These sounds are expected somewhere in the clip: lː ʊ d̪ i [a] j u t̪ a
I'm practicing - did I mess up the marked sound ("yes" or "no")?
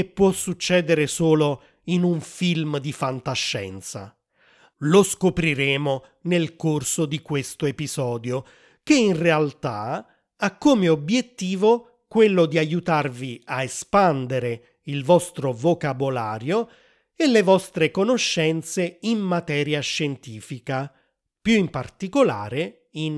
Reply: no